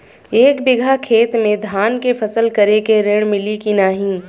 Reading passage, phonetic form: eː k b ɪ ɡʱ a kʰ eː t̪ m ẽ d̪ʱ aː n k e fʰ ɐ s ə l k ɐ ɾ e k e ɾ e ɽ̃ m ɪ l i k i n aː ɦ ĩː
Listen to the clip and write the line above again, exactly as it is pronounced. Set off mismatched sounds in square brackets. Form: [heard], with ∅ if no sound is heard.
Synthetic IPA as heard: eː k b ɪ ɡʱ a kʰ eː t̪ m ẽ d̪ʱ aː n k e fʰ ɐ s ə l k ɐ ɾ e k e ɾ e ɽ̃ m ɪ l i k i n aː ɦ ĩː